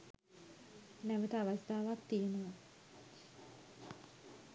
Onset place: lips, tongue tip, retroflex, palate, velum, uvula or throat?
tongue tip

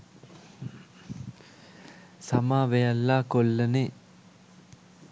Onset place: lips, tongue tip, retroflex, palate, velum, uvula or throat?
tongue tip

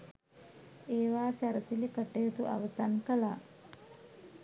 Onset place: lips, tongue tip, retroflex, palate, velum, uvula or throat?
lips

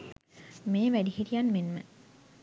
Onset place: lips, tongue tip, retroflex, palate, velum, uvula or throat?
lips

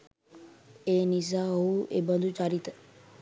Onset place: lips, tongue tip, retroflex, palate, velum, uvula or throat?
tongue tip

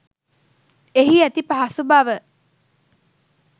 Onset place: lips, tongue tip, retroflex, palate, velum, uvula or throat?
throat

